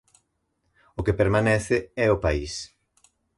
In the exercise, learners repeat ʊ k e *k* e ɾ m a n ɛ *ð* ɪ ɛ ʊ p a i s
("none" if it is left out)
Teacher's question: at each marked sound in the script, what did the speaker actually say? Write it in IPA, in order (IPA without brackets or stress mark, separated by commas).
p, θ